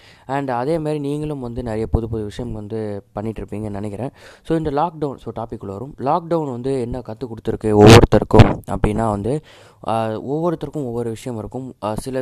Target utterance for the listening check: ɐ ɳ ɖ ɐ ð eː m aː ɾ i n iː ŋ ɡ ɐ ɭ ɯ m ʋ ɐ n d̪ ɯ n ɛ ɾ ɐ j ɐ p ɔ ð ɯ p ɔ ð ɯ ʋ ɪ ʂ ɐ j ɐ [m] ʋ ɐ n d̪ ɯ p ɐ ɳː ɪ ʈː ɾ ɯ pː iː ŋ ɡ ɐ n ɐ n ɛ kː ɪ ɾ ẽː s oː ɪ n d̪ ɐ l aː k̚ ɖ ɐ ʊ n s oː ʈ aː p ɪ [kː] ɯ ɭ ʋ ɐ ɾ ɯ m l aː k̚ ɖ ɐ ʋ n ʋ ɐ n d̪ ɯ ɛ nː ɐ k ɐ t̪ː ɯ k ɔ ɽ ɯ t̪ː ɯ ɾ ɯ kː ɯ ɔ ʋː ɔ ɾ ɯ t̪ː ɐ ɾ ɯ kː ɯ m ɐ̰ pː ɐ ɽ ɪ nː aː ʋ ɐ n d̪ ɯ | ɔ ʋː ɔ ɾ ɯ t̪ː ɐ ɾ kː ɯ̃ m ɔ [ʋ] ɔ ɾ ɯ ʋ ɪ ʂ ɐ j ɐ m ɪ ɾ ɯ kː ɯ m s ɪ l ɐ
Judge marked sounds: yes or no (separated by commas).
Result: yes, yes, no